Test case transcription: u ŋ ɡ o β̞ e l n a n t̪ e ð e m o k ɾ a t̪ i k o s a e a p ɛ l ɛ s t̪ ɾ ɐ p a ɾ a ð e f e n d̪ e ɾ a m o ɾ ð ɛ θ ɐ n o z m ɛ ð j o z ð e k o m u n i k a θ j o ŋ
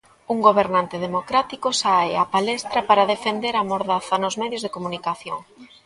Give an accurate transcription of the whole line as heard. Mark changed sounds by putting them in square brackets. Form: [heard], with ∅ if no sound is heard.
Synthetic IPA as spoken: u ŋ ɡ o β̞ e [ɾ] n a n t̪ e ð e m o k ɾ a t̪ i k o s a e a p [a] l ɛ s t̪ ɾ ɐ p a ɾ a ð e f e n d̪ e ɾ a m o ɾ ð [a] θ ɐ n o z m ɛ ð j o z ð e k o m u n i k a θ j o ŋ